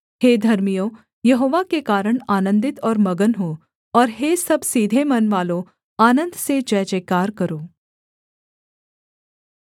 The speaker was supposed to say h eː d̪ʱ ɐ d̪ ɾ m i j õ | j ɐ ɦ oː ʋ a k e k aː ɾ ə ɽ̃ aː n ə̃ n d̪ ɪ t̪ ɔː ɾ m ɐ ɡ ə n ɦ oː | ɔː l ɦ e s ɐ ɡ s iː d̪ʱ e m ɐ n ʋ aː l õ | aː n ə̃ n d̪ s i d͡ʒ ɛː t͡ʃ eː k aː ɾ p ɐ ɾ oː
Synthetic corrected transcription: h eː d̪ʱ ɐ ɾ m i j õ | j ɐ ɦ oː ʋ a k e k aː ɾ ə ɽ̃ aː n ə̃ n d̪ ɪ t̪ ɔː ɾ m ɐ ɡ ə n ɦ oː | ɔː ɾ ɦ e s ɐ b s iː d̪ʱ e m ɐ n ʋ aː l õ | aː n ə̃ n d̪ s e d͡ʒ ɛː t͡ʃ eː k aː ɾ k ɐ ɾ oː

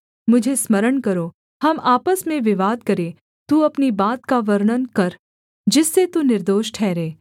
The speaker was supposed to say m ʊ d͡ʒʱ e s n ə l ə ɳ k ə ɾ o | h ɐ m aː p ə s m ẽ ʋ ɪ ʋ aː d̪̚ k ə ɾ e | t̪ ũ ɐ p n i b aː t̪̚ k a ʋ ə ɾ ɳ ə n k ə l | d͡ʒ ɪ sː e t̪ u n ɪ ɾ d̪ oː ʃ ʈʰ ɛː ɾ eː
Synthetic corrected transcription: m ʊ d͡ʒʱ e s m ə ɾ ə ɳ k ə ɾ o | h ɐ m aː p ə s m ẽ ʋ ɪ ʋ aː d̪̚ k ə ɾ e | t̪ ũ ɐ p n i b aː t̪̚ k a ʋ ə ɾ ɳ ə n k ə ɾ | d͡ʒ ɪ sː e t̪ u n ɪ ɾ d̪ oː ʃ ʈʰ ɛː ɾ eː

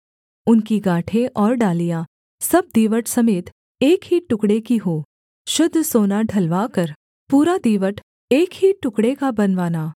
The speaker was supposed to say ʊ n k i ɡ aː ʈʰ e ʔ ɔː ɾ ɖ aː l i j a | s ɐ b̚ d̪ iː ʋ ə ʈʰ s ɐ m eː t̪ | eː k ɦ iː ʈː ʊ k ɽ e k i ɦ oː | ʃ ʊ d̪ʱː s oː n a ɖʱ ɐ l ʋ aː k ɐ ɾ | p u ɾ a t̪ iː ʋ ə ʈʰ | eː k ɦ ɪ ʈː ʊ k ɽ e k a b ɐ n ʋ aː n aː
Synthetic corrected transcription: ʊ n k i ɡ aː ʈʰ e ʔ ɔː ɾ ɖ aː l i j a | s ɐ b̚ d̪ iː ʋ ə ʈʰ s ɐ m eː t̪ | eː k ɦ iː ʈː ʊ k ɽ e k i ɦ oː | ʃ ʊ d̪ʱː s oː n a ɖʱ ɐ l ʋ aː k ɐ ɾ | p uː ɾ a d̪ iː ʋ ə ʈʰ | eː k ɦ i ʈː ʊ k ɽ e k a b ɐ n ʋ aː n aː

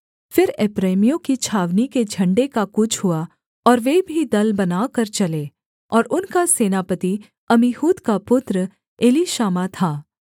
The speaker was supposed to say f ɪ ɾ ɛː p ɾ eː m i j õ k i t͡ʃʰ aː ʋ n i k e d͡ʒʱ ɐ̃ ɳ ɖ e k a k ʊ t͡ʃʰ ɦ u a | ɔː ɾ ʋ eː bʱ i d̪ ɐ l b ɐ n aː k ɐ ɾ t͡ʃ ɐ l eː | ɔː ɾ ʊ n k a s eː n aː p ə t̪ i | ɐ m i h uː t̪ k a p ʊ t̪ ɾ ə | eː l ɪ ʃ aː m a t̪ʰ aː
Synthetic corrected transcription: f ɪ ɾ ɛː p ɾ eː m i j õ k i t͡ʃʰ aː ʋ n i k e d͡ʒʱ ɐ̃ ɳ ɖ e k a k ʊ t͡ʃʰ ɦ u a | ɔː ɾ ʋ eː bʱ i d̪ ɐ l b ɐ n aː k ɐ ɾ t͡ʃ ɐ l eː | ɔː ɾ ʊ n k a s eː n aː p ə t̪ i | ɐ m i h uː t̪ k a p ʊ t̪ ɾ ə | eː l i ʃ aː m a t̪ʰ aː

